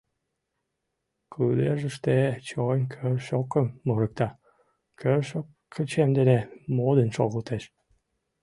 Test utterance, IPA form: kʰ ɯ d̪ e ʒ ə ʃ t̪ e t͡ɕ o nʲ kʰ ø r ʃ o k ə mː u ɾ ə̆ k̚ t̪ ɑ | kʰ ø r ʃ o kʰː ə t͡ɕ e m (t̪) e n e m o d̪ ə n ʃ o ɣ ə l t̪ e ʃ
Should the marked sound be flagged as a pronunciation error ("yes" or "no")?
yes